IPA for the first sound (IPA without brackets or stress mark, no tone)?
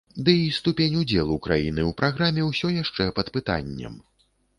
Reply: d̪